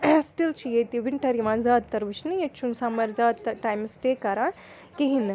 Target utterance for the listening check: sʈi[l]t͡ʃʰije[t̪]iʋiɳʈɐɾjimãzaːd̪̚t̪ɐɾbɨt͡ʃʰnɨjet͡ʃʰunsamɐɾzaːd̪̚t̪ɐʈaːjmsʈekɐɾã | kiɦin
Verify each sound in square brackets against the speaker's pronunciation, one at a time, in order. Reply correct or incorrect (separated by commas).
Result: correct, correct